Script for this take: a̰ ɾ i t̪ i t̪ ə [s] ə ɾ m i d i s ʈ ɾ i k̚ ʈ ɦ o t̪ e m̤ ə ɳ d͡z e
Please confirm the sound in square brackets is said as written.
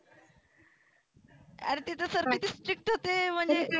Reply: yes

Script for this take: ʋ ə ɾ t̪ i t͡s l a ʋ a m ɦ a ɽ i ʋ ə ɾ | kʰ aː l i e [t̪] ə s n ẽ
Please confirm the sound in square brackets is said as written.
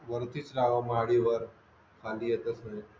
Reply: yes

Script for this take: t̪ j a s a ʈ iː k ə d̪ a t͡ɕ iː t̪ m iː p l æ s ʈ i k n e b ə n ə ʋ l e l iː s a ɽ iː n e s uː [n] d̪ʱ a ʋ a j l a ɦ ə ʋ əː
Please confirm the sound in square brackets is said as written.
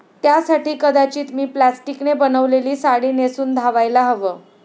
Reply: yes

